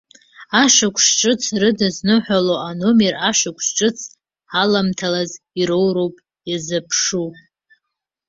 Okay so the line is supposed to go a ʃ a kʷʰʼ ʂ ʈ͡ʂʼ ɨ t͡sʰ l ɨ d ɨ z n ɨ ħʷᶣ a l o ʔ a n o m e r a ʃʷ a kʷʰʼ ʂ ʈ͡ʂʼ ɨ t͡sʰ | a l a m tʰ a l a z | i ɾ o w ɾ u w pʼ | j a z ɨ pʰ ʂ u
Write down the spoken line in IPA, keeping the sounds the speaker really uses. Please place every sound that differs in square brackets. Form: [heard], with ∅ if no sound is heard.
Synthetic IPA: a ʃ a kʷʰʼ ʂ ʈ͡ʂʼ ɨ t͡sʰ [r] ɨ d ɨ z n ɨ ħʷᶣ a l o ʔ a n o m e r a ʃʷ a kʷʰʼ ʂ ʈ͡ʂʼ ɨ t͡sʰ | a l a m tʰ a l a z | i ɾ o w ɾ [o] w pʼ | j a z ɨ pʰ ʂ u

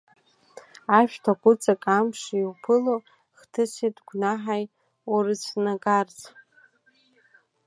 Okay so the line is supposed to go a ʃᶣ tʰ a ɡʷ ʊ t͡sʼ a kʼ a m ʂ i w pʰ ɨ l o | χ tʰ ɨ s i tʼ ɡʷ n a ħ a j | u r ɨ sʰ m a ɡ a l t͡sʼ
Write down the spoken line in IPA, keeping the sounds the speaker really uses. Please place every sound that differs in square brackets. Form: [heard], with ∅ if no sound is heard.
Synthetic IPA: a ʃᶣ tʰ a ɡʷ ʊ t͡sʼ a kʼ a m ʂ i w pʰ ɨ l o | χ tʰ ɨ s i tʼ ɡʷ n a ħ a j | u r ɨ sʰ [n] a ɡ a [r] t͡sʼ

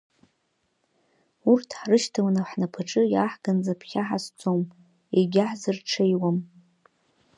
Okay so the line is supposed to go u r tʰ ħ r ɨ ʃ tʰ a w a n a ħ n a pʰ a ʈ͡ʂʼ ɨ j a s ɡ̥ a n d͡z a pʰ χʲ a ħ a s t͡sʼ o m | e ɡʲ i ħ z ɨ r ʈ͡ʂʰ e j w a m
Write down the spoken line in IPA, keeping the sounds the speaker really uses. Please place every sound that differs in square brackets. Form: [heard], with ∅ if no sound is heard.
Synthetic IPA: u r tʰ ħ r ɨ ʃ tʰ a w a n a ħ n a pʰ a ʈ͡ʂʼ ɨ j a [ħ] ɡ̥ a n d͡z a pʰ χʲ a ħ a s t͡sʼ o m | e ɡʲ [a] ħ z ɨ r ʈ͡ʂʰ e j w a m

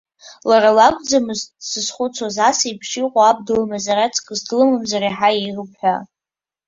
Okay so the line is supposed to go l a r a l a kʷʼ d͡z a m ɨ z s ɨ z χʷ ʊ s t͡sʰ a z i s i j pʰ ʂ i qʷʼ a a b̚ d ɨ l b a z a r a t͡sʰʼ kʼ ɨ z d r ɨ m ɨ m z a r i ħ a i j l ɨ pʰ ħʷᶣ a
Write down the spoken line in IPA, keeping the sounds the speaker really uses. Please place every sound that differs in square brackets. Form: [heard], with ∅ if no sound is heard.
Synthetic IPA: l a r a l a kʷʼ d͡z a m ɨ z s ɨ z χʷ ʊ [∅] t͡sʰ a z [a] s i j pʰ ʂ i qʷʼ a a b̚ d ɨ l [m] a z a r a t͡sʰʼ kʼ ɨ z d [l] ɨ m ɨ m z a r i ħ a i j [r] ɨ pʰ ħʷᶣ a

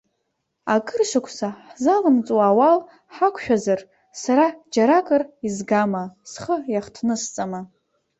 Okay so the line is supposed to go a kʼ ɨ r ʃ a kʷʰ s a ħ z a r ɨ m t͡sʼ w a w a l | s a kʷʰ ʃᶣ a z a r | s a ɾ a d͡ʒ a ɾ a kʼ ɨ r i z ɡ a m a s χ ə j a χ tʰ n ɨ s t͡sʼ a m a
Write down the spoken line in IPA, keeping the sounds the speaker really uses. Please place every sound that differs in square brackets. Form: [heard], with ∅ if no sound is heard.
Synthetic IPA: a kʼ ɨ r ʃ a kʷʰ s a ħ z a [l] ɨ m t͡sʼ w a w a l | [ħ] a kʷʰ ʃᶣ a z a r | s a ɾ a d͡ʒ a ɾ a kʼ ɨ r i z ɡ a m a s χ ə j a χ tʰ n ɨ s t͡sʼ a m a

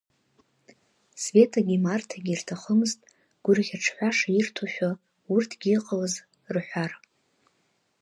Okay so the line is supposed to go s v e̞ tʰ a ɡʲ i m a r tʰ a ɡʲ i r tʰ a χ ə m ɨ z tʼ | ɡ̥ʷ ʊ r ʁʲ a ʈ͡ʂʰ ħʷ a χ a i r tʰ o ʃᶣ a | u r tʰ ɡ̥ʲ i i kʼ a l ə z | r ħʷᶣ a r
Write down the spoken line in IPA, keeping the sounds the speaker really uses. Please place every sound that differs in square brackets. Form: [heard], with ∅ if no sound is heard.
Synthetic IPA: s v e̞ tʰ a ɡʲ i m a r tʰ a ɡʲ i r tʰ a χ ə m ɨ z tʼ | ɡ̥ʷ ʊ r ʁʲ a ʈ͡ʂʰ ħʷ a [ʂ] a i r tʰ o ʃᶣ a | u r tʰ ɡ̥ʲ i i [qʼ] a l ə z | r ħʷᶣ a r

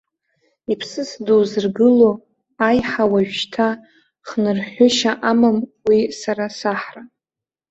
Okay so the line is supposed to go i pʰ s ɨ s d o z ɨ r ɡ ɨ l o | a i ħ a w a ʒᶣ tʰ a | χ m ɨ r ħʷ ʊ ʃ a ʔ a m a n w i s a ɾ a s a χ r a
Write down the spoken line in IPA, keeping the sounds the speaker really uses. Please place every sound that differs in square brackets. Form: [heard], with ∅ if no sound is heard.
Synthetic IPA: i pʰ s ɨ s d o z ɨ r ɡ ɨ l o | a [j] ħ a w a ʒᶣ tʰ a | χ [n] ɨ r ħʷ ʊ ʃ a ʔ a m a [m] w i s a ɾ a s a [ħ] r a

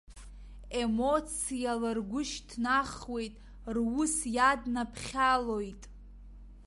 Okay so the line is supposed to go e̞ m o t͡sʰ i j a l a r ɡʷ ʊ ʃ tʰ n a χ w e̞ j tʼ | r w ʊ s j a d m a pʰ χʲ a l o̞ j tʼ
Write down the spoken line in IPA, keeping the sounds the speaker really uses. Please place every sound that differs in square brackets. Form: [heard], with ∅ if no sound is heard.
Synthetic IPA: e̞ m o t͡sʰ i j a l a r ɡʷ ʊ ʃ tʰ n a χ w e̞ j tʼ | r w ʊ s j a d [n] a pʰ χʲ a l o̞ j tʼ

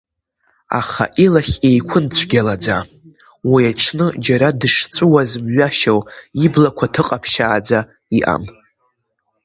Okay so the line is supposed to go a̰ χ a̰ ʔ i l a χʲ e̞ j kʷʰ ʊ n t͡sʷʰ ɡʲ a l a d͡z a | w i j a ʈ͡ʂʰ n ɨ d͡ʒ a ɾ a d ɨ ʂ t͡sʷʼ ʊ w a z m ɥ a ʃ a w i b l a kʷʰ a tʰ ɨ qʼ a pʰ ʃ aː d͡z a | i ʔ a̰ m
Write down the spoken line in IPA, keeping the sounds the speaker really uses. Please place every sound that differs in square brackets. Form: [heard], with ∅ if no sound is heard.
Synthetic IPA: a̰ χ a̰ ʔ i l a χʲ e̞ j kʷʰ ʊ n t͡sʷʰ ɡʲ a l a d͡z a | w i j a ʈ͡ʂʰ n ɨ d͡ʒ a ɾ a d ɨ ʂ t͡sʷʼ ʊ w a z m ɥ a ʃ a w i b l a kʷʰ a tʰ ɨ qʼ a pʰ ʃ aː d͡z a | i ʔ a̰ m

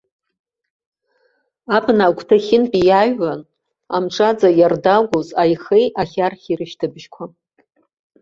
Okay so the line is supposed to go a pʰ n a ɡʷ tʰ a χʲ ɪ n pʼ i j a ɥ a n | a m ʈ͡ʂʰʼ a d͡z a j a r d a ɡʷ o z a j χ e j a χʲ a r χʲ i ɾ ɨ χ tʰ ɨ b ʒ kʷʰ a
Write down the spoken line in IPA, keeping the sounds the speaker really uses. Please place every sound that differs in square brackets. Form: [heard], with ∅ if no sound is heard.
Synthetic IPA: a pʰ n a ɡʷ tʰ a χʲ ɪ n pʼ i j a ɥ a n | a m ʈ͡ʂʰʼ a d͡z a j a r d a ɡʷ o z a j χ e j a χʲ a r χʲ i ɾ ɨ [ʃ] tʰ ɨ b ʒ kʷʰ a

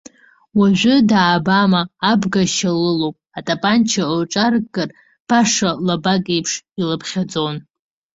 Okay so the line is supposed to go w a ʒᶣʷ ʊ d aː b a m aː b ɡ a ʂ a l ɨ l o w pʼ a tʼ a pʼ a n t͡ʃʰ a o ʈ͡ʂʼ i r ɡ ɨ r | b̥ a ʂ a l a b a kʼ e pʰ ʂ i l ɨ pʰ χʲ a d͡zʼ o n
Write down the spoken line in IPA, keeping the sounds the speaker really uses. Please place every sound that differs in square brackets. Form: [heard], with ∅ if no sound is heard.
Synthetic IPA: w a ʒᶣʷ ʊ d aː b a m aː b ɡ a [ʃ] a l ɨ l o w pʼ a tʼ a pʼ a n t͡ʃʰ a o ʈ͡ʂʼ [a] r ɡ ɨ r | b̥ a ʂ a l a b a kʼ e pʰ ʂ i l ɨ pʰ χʲ a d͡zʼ o n

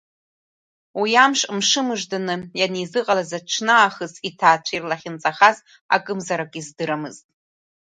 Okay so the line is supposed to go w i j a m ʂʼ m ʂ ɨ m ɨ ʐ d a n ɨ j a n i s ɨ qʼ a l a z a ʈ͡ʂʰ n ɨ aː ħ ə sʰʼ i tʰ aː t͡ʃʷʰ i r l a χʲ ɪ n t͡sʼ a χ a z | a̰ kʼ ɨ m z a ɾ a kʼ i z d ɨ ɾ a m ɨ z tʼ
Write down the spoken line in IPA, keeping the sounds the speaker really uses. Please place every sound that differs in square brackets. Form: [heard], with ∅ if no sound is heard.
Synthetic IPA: w i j a m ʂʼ m ʂ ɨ m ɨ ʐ d a n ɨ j a n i [z] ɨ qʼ a l a z a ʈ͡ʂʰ n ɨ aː [χ] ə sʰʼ i tʰ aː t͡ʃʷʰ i r l a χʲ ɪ n t͡sʼ a χ a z | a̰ kʼ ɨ m z a ɾ a kʼ i z d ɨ ɾ a m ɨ z tʼ

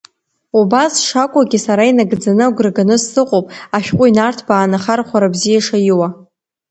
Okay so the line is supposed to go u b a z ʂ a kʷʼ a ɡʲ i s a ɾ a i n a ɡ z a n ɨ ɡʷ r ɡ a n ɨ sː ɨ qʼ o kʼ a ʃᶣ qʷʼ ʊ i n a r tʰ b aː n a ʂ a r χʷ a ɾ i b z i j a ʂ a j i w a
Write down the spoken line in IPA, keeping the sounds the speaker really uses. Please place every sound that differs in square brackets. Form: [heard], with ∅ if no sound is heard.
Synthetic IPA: u b a [s] ʂ a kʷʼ a ɡʲ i s a ɾ a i n a ɡ [d͡z] a n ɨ ɡʷ r ɡ a n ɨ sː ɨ qʼ o [pʼ] a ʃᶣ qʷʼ ʊ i n a r tʰ b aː n a [χ] a r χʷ a ɾ [a] b z i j a ʂ a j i w a

